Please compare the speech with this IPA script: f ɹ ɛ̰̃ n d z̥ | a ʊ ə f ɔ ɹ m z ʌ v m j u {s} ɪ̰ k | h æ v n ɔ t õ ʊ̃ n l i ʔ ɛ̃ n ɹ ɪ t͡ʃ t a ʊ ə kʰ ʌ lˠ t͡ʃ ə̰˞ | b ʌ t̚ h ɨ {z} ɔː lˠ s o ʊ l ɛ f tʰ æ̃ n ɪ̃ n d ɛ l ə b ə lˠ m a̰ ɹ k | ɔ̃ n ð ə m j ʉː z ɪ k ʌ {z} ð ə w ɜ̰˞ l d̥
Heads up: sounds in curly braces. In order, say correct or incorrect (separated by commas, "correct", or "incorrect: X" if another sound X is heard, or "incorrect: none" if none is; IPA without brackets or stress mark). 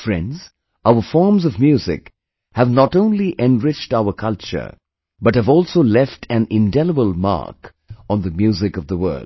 incorrect: z, incorrect: v, incorrect: v